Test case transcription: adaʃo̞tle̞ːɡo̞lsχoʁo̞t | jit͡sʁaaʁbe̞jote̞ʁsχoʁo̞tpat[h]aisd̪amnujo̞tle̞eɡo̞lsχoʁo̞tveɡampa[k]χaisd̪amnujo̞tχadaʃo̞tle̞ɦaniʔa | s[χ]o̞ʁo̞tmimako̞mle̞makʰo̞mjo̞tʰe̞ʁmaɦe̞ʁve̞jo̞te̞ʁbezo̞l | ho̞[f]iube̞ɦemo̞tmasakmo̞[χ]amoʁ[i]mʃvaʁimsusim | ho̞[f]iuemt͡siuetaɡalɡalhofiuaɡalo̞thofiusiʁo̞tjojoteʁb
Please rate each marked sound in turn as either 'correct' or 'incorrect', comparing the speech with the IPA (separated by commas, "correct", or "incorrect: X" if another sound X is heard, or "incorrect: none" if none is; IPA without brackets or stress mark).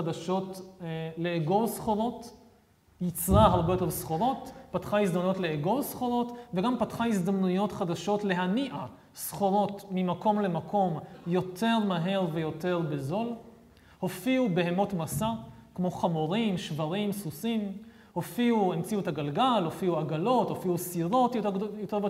incorrect: χ, incorrect: t, correct, correct, correct, correct, correct